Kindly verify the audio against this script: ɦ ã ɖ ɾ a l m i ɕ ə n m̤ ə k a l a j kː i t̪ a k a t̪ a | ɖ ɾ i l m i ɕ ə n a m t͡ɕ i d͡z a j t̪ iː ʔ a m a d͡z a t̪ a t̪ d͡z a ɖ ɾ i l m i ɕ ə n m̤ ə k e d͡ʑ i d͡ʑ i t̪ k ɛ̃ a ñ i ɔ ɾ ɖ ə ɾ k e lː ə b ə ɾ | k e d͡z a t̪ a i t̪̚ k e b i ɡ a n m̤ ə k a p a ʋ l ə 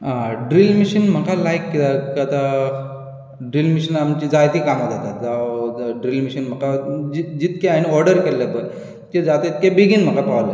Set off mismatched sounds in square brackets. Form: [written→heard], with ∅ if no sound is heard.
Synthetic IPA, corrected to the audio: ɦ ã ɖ ɾ [a→i] l m i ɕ ə n m̤ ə k a l a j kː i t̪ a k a t̪ a | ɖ ɾ i l m i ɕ ə n a m t͡ɕ i d͡z a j t̪ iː [ʔ→k] a m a d͡z a t̪ a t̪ d͡z a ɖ ɾ i l m i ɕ ə n m̤ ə k [e→a] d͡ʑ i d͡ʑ i t̪ k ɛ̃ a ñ i ɔ ɾ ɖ ə ɾ k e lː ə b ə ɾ | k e d͡z a t̪ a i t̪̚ k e b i ɡ [a→i] n m̤ ə k a p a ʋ l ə